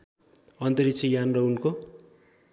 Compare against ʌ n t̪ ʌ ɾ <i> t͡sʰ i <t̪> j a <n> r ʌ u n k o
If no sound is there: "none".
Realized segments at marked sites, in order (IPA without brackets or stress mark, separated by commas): i, none, n